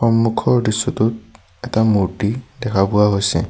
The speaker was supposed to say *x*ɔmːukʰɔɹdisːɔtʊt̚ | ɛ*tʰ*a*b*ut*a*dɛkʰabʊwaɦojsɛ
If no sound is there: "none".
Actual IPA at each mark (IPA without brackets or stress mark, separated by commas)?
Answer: x, t, m, i